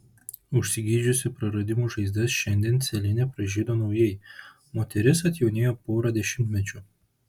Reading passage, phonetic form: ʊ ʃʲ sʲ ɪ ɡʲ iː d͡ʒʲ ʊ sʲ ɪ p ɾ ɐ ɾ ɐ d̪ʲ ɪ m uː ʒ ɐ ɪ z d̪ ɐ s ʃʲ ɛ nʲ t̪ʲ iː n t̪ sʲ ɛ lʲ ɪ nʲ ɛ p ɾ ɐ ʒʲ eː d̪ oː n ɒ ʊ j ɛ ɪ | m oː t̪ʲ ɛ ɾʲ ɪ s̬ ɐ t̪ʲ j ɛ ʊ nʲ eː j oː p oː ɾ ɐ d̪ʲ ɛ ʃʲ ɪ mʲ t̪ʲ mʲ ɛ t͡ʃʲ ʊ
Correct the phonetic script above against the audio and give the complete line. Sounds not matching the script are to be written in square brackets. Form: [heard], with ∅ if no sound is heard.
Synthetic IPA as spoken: ʊ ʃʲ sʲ ɪ ɡʲ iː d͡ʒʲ ʊ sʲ ɪ p ɾ ɐ ɾ ɐ d̪ʲ ɪ m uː ʒ ɐ ɪ z d̪ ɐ s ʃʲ ɛ nʲ [d̪ʲ] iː n t̪ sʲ ɛ lʲ ɪ nʲ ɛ p ɾ ɐ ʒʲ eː d̪ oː n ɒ ʊ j ɛ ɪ | m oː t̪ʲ ɛ ɾʲ ɪ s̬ ɐ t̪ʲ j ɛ ʊ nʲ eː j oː p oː ɾ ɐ d̪ʲ ɛ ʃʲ ɪ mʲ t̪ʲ mʲ ɛ t͡ʃʲ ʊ